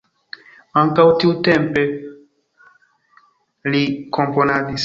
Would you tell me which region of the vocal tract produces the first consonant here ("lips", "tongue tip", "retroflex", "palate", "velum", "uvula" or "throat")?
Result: velum